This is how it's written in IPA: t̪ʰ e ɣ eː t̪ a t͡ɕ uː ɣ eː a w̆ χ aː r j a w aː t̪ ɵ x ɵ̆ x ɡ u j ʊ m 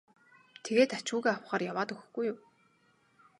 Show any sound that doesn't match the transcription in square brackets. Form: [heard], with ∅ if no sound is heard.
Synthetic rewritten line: t̪ʰ e ɣ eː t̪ a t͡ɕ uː ɣ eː a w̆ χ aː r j a w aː t̪ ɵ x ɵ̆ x ɡ u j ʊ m